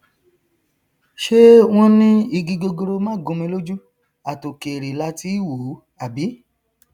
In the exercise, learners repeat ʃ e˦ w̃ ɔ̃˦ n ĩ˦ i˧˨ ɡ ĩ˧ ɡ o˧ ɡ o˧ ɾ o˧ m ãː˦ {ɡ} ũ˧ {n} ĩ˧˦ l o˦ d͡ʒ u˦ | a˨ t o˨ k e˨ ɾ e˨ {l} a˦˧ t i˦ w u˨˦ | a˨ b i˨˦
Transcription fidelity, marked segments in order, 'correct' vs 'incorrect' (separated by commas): correct, incorrect, correct